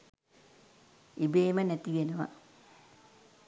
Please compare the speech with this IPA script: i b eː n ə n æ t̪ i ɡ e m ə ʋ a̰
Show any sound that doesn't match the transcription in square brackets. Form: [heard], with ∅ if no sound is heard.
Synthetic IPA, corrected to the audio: i b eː [m] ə n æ t̪ i ɡ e [n] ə ʋ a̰